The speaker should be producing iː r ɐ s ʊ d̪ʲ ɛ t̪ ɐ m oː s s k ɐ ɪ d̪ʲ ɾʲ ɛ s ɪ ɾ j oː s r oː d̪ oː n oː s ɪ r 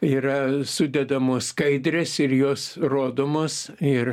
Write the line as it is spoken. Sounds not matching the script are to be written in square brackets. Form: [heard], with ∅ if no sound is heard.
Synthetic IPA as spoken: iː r ɐ s ʊ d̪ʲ ɛ [d̪] ɐ m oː s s k ɐ ɪ d̪ʲ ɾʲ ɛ s ɪ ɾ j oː s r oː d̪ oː [m] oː s ɪ r